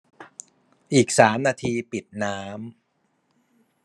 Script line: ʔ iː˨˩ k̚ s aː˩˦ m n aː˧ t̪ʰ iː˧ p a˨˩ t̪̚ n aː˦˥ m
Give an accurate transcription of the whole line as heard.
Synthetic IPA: ʔ iː˨˩ k̚ s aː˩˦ m n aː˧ t̪ʰ iː˧ p i˨˩ t̪̚ n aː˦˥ m